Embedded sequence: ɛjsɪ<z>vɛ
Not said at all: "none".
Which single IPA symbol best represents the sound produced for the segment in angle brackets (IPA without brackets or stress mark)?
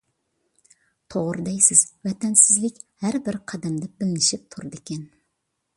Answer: z